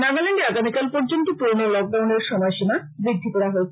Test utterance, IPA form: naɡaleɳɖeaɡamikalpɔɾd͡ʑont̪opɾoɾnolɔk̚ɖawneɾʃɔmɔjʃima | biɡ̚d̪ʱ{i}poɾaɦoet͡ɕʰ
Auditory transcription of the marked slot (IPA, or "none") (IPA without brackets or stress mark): i